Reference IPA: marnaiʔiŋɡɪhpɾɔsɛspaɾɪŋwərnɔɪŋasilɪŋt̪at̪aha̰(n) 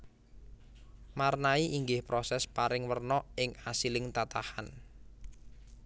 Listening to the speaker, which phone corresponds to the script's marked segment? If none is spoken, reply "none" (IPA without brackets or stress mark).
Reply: n